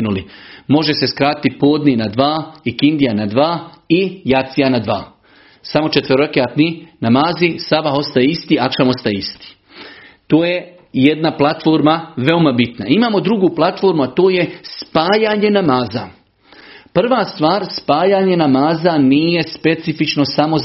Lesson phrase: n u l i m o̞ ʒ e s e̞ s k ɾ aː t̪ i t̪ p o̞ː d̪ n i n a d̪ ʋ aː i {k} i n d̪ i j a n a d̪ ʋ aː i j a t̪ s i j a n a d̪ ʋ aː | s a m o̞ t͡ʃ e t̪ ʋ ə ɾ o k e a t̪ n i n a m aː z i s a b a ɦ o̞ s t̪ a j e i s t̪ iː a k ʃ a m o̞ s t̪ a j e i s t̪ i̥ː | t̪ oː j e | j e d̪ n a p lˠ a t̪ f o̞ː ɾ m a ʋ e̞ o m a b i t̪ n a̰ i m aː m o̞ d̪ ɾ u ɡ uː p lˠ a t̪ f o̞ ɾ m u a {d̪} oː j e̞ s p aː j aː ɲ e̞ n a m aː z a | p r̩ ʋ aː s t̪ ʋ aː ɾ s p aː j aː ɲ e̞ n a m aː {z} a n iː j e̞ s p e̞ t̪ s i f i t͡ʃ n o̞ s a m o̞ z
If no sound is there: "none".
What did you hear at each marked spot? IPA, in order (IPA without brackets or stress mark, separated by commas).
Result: k, t̪, z